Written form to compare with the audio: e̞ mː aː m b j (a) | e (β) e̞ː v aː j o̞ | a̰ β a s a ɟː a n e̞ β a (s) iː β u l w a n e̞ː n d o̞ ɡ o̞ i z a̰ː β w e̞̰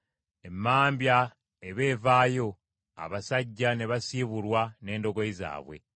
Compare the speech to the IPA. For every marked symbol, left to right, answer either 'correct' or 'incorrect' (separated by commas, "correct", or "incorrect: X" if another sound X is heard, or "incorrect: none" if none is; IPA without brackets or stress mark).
correct, correct, correct